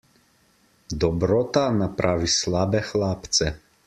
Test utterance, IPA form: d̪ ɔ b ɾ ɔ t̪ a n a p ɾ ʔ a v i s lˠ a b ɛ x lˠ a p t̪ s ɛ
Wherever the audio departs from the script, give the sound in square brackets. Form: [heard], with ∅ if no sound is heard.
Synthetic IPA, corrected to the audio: d̪ ɔ b ɾ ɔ t̪ a n a p ɾ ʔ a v i s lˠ a b ɛ x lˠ a p t̪ s ɛ

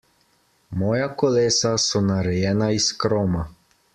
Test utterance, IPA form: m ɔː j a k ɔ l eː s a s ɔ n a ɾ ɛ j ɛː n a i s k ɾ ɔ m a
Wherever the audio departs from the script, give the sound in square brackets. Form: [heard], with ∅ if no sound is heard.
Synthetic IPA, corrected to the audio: m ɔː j a k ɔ l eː s a s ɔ n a ɾ ɛ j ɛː n a i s k ɾ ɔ m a

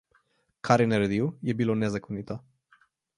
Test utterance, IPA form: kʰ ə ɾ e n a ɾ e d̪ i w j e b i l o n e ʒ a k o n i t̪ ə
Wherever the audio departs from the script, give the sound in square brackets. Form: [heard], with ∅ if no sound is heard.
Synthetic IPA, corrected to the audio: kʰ [a] ɾ e n [e] ɾ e d̪ i w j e b i l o n e [z] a k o n i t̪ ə

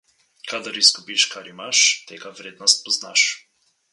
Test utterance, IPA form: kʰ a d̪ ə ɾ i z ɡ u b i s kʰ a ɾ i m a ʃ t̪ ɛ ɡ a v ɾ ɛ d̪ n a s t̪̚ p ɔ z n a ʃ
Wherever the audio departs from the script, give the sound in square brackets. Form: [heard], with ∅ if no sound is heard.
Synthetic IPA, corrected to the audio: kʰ a d̪ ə ɾ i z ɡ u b i [ʃ] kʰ a ɾ i m a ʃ t̪ ɛ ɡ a v ɾ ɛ d̪ n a s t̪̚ p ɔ z n a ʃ

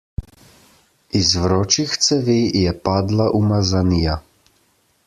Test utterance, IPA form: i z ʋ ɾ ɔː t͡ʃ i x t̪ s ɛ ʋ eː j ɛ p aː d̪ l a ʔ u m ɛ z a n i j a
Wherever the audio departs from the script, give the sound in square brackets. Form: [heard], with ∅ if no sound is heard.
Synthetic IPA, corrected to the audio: i z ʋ ɾ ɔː t͡ʃ i x t̪ s ɛ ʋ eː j ɛ p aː d̪ l a ʔ u m [a] z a n i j a

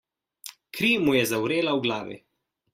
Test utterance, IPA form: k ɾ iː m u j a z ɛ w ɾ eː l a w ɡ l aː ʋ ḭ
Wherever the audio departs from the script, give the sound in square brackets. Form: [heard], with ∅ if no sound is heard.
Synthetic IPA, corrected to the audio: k ɾ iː m u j [ɛ] z [a] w ɾ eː l a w ɡ l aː ʋ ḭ

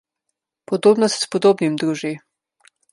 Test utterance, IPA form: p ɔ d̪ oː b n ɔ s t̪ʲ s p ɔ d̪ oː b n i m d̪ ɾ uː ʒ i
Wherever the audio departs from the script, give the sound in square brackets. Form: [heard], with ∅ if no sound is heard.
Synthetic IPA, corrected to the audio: p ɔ d̪ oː b n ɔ s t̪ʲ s p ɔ d̪ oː b n i m d̪ ɾ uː ʒ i

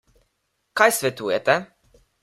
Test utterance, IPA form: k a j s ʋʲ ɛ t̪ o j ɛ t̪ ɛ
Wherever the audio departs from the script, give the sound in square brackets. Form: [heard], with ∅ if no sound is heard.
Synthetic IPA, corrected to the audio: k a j s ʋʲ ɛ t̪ [u] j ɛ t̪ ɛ

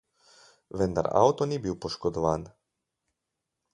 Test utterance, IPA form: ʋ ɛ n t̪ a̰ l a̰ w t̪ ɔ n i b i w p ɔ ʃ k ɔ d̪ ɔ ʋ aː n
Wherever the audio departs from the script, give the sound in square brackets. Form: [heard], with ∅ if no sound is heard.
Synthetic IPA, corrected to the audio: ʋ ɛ n [d̪] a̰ [ɾ] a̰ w t̪ ɔ n i b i w p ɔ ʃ k ɔ d̪ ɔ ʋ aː n

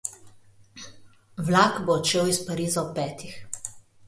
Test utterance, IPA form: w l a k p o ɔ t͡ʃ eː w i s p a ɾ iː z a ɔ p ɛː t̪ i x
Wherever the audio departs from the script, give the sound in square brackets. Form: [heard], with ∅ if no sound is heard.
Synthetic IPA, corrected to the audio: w l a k [b] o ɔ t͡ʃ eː w i s p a ɾ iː z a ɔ p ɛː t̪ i x

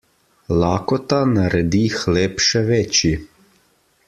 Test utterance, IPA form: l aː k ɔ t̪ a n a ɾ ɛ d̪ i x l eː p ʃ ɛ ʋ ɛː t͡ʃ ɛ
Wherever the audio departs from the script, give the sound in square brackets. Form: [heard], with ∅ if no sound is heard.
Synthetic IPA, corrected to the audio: l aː k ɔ t̪ a n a ɾ ɛ d̪ i x l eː p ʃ ɛ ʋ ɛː t͡ʃ [i]

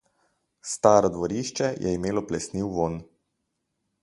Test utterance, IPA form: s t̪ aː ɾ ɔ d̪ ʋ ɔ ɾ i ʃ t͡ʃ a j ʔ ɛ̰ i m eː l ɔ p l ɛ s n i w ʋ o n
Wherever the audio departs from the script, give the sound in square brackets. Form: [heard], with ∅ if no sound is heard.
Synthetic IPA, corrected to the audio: s t̪ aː ɾ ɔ d̪ ʋ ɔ ɾ i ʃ t͡ʃ [ɛ] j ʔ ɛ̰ i m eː l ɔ p l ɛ s n i w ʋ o n

